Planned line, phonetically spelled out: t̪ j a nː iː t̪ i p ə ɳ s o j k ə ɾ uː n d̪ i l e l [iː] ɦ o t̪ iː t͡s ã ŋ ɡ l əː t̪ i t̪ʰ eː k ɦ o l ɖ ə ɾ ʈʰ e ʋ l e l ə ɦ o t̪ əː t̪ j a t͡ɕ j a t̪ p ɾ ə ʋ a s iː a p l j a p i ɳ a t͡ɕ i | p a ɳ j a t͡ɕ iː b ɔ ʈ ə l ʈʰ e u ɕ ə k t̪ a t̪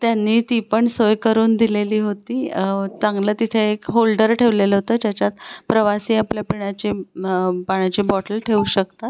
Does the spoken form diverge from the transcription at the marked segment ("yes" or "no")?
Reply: no